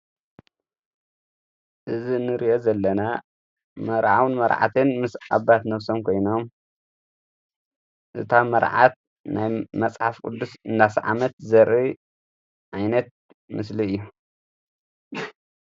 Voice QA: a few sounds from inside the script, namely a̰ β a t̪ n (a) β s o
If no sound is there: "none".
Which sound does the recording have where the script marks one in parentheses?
ɐ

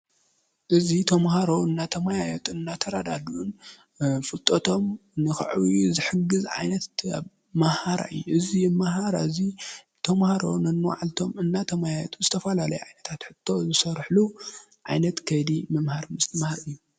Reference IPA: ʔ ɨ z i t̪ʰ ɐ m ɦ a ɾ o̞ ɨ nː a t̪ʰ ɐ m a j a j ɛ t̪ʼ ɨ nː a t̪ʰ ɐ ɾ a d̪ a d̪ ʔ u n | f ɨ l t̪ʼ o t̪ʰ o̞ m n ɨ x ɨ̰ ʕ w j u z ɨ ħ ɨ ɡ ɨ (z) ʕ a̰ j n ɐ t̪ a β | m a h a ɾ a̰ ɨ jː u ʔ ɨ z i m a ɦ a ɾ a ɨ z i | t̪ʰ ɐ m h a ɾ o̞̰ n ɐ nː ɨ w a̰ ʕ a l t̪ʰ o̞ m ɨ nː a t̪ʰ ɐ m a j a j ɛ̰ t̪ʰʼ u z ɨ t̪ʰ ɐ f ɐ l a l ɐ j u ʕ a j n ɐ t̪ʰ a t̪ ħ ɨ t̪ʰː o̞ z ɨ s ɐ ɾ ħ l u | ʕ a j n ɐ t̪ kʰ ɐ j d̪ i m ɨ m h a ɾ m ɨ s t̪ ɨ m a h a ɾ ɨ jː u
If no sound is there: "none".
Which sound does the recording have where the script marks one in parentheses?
z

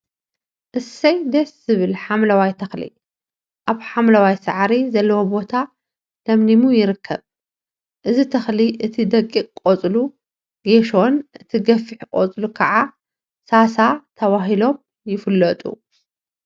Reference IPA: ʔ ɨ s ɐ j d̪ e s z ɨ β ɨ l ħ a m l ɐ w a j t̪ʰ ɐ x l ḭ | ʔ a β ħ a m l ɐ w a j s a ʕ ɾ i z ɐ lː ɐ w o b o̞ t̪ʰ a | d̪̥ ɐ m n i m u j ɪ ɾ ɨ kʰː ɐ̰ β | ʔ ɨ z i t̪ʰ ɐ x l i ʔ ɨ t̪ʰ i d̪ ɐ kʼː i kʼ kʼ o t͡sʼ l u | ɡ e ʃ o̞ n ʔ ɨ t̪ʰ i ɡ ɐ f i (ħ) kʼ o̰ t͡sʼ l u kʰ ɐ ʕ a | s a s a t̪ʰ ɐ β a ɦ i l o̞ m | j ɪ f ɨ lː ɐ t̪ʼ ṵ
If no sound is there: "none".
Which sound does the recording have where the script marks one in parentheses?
ħ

